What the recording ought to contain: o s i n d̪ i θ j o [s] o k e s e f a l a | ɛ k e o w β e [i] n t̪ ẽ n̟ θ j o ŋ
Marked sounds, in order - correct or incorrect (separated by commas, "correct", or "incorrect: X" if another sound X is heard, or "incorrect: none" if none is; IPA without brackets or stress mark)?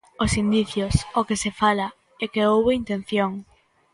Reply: correct, correct